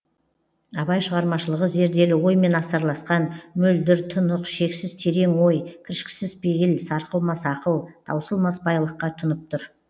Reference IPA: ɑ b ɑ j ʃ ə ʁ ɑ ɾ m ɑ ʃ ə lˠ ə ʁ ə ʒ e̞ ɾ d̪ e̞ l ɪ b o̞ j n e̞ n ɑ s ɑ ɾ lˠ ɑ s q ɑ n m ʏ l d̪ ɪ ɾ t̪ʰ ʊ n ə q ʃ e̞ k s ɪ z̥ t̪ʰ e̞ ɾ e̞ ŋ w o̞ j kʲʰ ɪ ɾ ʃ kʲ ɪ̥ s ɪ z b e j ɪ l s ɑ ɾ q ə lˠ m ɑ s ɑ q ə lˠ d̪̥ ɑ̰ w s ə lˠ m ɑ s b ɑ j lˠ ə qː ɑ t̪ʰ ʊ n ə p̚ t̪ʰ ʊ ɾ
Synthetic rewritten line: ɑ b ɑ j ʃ ə ʁ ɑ ɾ m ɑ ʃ ə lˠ ə ʁ ə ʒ e̞ ɾ d̪ e̞ l ɪ w o̞ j m e̞ n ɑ s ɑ ɾ lˠ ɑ s q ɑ n m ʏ l d̪ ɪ ɾ t̪ʰ ʊ n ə q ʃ e̞ k s ɪ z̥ t̪ʰ e̞ ɾ e̞ ŋ w o̞ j kʲʰ ɪ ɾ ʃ kʲ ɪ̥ s ɪ z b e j ɪ l s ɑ ɾ q ə lˠ m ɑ s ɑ q ə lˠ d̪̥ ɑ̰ w s ə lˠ m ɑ s b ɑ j lˠ ə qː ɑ t̪ʰ ʊ n ə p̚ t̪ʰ ʊ ɾ